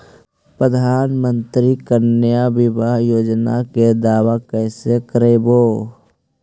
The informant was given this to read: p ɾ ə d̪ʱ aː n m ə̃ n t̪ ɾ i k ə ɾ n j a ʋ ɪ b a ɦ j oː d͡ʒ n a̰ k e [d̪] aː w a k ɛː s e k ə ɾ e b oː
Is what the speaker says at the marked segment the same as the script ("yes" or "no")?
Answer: yes